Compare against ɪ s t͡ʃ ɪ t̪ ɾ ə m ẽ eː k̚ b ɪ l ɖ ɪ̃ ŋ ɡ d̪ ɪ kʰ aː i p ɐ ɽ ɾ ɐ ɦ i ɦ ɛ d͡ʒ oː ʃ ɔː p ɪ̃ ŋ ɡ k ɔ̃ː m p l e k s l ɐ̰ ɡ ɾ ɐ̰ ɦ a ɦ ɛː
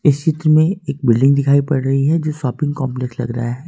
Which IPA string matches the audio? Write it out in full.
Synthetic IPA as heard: ɪ s t͡ʃ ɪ t̪ ɾ ə m ẽ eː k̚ b ɪ l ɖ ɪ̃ ŋ ɡ d̪ ɪ kʰ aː i p ɐ ɽ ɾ ɐ ɦ i ɦ ɛ d͡ʒ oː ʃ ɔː p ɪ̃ ŋ ɡ k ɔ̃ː m p l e k s l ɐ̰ ɡ ɾ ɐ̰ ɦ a ɦ ɛː